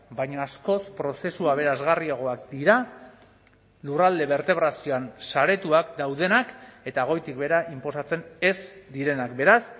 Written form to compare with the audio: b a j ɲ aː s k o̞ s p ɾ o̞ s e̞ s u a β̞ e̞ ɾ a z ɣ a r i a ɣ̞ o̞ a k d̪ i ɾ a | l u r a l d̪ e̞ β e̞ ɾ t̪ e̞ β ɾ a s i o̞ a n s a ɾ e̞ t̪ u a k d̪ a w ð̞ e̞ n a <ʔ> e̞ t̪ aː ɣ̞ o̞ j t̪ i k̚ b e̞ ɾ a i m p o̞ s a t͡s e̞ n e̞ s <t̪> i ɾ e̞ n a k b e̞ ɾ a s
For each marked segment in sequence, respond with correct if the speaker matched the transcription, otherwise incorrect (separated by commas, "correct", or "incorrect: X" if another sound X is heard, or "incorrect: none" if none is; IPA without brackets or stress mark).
incorrect: k, incorrect: d̪